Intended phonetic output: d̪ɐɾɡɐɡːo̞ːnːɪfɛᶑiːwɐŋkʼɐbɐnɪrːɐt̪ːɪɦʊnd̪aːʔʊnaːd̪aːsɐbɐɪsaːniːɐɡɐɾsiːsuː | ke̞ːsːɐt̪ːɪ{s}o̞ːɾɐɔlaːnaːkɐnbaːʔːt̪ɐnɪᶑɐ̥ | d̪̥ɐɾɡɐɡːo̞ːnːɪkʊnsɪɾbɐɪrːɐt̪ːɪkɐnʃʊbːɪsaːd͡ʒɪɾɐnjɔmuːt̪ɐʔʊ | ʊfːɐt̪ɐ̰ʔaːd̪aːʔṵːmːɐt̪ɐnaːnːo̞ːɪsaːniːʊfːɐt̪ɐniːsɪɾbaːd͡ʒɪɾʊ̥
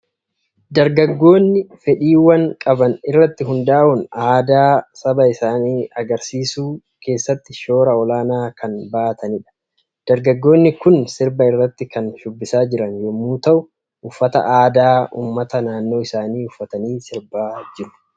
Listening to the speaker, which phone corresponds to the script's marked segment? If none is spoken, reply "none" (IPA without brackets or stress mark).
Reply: ʃ